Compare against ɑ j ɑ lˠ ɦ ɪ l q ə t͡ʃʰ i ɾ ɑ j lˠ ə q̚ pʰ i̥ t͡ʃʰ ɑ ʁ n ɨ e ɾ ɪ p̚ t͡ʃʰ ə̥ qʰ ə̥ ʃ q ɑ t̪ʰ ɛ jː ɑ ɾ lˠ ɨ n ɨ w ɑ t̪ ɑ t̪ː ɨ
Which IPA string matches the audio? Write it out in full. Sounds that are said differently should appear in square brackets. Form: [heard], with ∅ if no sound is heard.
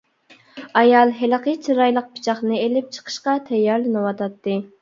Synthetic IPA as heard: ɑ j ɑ lˠ ɦ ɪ l q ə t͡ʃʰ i ɾ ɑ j lˠ ə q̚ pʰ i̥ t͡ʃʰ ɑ [χ] n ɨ e [l] ɪ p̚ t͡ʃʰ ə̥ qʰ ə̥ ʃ q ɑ t̪ʰ ɛ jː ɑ ɾ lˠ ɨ n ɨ w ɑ t̪ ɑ t̪ː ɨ